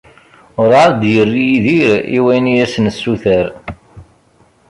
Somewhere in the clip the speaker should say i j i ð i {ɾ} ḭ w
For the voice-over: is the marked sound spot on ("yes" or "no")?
yes